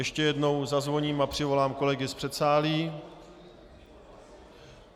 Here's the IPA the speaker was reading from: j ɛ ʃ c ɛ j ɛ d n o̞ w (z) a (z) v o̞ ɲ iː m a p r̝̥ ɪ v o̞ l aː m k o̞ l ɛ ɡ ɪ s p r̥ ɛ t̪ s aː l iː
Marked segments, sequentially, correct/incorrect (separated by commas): correct, correct